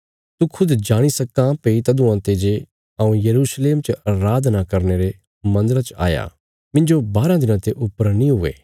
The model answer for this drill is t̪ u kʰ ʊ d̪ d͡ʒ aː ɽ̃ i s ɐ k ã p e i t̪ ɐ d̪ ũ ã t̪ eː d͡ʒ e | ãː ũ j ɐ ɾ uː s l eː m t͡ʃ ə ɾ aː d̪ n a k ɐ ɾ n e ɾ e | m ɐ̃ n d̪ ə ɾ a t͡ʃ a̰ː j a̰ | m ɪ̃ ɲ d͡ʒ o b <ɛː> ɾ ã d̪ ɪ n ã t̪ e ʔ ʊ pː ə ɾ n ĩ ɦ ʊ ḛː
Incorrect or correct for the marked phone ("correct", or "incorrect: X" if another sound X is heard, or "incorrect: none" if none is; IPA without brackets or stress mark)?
incorrect: aː